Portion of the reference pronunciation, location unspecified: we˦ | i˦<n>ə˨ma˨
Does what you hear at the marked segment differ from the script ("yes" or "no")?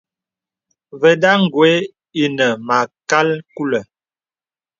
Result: no